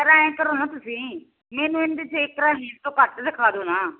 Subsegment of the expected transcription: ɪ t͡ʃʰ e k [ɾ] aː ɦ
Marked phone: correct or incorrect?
correct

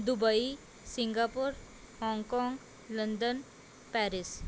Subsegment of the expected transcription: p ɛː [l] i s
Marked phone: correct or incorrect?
incorrect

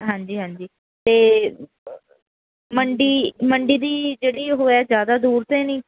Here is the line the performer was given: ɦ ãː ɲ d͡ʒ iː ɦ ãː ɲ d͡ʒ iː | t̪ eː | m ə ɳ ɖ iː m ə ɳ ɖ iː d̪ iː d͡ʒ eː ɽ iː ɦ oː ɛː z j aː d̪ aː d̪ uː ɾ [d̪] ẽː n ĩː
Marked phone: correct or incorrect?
incorrect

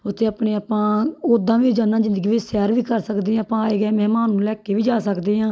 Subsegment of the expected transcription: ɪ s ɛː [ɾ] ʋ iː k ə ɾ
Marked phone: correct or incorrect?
correct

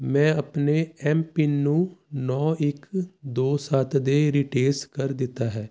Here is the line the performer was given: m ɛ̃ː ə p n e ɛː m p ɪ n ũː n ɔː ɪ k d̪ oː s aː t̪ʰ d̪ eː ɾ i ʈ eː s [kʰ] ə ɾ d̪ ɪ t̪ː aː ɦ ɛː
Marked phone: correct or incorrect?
incorrect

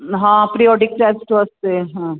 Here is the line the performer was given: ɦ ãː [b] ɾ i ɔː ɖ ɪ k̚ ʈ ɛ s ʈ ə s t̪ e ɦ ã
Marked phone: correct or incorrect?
incorrect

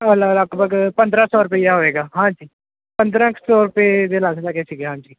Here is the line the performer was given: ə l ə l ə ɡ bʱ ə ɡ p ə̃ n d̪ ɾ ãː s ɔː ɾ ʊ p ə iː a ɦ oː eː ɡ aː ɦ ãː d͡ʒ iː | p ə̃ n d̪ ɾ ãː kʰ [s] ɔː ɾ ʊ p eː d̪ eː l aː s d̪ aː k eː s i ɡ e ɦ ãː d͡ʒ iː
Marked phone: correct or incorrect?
correct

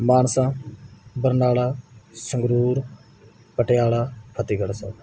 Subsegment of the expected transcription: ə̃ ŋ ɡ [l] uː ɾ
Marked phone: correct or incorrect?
incorrect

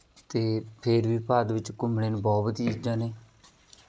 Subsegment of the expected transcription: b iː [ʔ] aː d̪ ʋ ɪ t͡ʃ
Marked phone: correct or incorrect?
incorrect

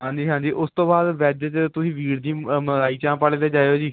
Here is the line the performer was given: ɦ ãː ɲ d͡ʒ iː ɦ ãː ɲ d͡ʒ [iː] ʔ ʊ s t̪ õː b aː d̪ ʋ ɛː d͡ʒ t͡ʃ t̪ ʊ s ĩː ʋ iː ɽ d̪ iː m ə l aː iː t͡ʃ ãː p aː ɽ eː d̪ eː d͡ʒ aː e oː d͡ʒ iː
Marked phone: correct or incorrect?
correct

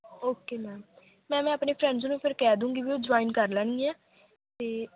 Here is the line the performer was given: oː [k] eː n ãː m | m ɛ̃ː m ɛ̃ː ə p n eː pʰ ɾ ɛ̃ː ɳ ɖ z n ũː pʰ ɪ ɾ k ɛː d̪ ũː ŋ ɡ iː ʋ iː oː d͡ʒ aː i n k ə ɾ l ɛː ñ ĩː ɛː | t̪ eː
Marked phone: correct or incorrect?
correct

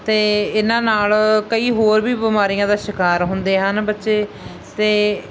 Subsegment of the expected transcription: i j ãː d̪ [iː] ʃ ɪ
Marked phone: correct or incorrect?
incorrect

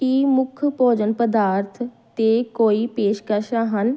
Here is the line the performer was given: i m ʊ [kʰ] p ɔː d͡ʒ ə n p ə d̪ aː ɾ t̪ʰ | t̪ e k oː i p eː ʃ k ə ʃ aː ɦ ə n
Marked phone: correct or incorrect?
correct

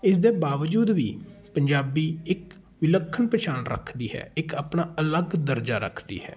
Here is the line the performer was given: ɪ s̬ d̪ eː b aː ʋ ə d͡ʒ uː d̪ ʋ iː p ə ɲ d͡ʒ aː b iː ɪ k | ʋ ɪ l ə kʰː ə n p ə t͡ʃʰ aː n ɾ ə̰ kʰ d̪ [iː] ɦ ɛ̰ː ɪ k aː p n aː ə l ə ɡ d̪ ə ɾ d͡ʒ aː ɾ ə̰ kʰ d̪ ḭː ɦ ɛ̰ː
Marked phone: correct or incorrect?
correct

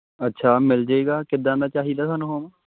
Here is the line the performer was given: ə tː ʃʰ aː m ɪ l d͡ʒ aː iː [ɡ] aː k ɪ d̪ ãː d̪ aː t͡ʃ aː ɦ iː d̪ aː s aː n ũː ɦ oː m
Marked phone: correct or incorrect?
correct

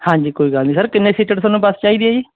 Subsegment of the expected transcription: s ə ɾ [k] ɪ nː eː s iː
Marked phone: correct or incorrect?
correct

